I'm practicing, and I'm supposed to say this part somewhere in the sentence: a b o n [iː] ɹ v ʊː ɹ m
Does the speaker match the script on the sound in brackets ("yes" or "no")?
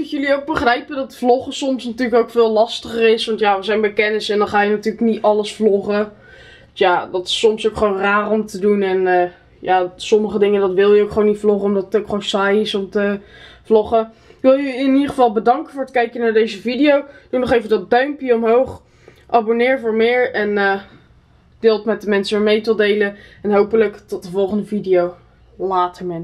no